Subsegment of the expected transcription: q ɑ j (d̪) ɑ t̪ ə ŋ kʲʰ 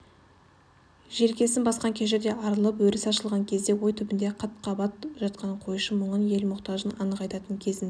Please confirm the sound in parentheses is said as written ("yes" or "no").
no